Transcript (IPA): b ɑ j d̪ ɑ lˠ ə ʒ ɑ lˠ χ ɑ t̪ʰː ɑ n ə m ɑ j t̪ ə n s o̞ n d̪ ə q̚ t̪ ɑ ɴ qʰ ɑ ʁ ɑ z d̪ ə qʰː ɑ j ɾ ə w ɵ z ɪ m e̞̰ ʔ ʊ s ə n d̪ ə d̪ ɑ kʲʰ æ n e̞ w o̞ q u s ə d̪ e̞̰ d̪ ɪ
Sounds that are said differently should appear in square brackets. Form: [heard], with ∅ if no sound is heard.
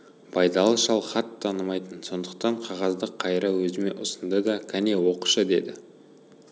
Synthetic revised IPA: b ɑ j d̪ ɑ lˠ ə [ʃ] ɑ lˠ χ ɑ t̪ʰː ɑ n ə m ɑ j t̪ ə n s o̞ n d̪ ə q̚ t̪ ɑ ɴ qʰ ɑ ʁ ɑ z d̪ ə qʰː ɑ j ɾ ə w ɵ z ɪ m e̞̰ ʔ ʊ s ə n d̪ ə d̪ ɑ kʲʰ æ n e̞ w o̞ q u [ʃ] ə d̪ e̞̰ d̪ ɪ